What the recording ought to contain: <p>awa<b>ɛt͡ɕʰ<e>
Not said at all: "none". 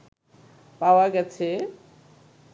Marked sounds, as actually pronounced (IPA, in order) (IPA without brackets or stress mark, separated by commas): p, ɡ, e